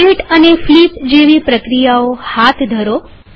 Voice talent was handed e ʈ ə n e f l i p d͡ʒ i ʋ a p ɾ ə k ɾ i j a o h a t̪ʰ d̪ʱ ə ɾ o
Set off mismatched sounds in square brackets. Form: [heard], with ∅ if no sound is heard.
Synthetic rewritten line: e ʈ ə n e f l i p d͡ʒ [e] ʋ [i] p ɾ ə k ɾ i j a o h a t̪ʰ d̪ʱ ə ɾ o